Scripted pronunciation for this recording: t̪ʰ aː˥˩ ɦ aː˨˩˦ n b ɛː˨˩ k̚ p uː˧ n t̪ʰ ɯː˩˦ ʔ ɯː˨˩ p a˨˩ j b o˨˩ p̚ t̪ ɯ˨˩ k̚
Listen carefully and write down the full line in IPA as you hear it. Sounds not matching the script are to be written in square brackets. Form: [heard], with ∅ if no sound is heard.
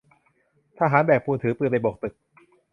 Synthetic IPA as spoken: t̪ʰ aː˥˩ ɦ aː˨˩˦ n b ɛː˨˩ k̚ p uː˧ n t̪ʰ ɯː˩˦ [p] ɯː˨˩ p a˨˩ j b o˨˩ [k̚] t̪ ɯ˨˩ k̚